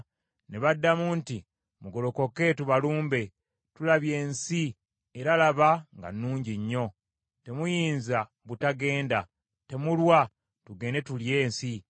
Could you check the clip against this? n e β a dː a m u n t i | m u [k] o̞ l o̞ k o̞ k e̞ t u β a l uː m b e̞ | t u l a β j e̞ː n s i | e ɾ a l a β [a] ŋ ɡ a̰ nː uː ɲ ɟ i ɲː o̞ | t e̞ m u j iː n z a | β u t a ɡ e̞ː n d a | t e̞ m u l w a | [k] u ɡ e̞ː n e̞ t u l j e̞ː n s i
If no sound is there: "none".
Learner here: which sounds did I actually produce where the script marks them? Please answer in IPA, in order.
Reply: ɡ, a, t

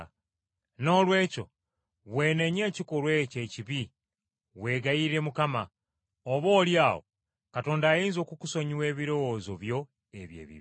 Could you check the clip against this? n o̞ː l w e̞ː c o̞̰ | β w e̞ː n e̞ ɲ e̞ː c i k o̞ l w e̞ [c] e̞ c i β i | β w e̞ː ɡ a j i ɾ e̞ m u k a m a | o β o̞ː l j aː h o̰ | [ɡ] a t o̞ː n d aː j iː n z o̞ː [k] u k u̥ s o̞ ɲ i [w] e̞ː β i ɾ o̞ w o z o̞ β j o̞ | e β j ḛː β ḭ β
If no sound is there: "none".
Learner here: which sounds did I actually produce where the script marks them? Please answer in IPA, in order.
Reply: c, k, k, w

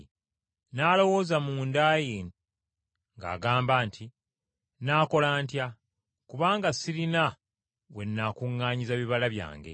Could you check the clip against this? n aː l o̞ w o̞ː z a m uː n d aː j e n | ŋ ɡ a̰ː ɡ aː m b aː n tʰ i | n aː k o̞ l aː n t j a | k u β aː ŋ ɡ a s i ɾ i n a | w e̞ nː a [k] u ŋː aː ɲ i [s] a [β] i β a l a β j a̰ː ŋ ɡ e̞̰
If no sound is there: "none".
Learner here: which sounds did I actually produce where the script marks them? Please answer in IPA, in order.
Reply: k, z, β

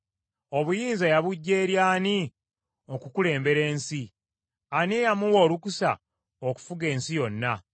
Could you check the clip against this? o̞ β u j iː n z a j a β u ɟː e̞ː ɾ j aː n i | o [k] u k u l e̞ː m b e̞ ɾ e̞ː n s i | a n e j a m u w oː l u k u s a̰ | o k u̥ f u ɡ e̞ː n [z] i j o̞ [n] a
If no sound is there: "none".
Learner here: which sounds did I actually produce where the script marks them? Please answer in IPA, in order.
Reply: k, s, nː

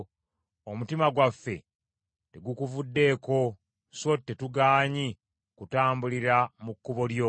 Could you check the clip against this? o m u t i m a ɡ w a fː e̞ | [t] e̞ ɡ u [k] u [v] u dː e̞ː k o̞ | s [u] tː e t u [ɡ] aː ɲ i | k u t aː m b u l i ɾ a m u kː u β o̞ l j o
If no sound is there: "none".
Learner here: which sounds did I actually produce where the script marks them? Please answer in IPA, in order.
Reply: t, k, v, o, ɡ

